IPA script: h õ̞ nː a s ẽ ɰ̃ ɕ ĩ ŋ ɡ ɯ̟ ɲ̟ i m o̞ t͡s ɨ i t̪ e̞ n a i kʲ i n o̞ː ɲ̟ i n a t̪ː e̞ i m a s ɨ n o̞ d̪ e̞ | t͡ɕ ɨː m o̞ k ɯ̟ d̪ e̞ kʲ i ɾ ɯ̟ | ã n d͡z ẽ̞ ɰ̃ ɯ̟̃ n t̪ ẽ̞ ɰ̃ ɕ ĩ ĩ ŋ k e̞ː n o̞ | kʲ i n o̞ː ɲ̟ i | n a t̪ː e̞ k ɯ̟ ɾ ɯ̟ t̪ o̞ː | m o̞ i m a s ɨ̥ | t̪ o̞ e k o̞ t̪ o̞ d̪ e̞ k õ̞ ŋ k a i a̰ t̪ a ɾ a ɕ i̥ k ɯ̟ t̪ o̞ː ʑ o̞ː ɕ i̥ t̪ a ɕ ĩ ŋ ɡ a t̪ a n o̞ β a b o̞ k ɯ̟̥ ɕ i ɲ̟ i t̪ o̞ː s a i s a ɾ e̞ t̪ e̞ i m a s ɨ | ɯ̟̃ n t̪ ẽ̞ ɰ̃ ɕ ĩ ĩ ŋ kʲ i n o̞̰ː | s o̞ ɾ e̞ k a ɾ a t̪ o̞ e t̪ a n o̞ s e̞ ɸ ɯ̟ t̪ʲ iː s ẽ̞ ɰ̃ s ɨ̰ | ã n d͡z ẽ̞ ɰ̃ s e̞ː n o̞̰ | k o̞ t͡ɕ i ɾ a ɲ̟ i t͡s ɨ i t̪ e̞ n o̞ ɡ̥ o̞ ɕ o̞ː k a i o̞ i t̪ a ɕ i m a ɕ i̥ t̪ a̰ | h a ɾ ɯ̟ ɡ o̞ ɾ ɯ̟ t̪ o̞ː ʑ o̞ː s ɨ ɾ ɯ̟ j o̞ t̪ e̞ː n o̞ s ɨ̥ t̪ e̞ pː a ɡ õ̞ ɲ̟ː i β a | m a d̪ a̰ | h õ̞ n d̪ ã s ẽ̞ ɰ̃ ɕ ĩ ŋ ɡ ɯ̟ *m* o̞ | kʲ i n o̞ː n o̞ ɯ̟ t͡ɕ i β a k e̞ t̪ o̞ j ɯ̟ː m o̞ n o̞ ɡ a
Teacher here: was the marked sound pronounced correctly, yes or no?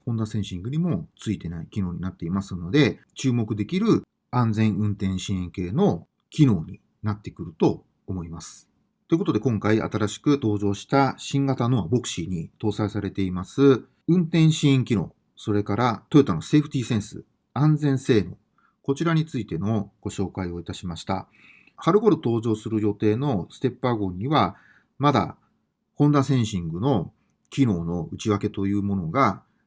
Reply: no